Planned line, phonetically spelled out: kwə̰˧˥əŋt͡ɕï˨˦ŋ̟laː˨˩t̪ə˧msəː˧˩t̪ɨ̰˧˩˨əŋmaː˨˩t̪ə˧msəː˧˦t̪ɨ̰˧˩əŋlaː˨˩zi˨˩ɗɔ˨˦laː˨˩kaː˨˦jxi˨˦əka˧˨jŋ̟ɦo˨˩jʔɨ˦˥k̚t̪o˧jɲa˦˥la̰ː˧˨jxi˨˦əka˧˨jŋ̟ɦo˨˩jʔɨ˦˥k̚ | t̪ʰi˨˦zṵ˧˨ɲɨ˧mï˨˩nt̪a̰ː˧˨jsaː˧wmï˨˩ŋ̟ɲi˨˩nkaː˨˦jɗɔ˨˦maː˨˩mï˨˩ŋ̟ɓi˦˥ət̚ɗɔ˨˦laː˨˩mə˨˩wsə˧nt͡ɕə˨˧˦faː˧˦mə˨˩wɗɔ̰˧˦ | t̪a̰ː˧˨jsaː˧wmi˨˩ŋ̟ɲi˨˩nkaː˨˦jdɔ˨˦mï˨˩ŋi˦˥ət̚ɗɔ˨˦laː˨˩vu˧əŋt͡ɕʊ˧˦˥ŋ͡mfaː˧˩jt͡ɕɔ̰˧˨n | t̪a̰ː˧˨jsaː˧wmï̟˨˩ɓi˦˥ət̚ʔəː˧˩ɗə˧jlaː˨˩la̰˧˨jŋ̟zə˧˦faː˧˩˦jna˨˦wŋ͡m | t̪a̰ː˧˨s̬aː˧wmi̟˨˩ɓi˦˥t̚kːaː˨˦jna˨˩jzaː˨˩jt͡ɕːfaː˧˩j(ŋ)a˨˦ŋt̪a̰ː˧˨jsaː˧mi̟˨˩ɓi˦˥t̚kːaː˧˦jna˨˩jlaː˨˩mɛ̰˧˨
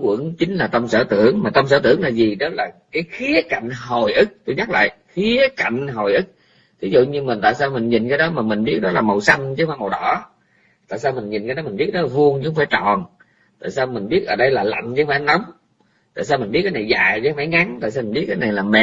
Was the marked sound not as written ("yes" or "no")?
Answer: no